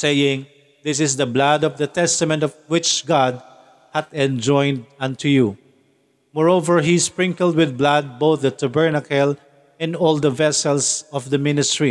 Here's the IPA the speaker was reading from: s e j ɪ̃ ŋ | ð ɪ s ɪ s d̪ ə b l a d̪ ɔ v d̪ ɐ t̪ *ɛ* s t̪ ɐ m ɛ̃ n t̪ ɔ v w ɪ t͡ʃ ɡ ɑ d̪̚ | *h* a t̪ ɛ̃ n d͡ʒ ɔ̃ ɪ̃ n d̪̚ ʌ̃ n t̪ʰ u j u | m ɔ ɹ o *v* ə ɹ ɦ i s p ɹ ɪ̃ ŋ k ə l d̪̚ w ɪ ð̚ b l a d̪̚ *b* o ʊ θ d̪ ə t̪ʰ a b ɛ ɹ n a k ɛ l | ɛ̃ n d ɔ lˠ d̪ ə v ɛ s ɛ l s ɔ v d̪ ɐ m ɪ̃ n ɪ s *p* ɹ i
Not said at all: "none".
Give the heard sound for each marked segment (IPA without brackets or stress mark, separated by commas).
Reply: ɛ, h, v, b, t